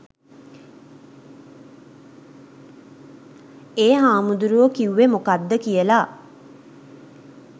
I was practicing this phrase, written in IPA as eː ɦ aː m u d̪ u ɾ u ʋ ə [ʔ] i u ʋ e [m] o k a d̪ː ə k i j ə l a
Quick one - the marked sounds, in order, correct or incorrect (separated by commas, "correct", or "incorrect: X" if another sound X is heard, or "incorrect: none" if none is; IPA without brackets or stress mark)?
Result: incorrect: k, correct